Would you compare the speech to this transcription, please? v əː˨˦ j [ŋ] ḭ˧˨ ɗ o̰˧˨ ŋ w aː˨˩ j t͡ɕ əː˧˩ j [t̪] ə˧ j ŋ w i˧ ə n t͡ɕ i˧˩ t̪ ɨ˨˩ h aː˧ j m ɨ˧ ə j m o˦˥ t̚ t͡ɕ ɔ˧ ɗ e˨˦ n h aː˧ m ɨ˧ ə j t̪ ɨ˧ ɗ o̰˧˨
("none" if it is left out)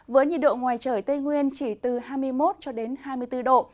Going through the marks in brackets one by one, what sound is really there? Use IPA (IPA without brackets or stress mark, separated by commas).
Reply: ɲ, t̪